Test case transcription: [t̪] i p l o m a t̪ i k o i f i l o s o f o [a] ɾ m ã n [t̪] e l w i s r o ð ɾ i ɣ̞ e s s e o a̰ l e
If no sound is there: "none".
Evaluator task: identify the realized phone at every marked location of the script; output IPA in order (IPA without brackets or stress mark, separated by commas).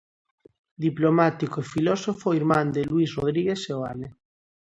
d̪, i, d̪